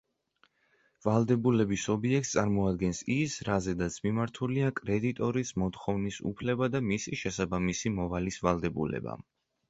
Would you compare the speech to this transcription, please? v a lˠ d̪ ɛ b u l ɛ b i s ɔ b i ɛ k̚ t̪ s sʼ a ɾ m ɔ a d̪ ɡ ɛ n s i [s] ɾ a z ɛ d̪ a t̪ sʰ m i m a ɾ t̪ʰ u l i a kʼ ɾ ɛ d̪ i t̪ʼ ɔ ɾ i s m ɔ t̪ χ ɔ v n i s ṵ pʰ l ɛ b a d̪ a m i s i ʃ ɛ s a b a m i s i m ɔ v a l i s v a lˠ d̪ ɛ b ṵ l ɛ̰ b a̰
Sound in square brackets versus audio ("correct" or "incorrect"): correct